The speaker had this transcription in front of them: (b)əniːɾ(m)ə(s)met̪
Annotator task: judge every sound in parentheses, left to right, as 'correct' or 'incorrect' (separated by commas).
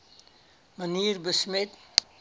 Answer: incorrect, incorrect, correct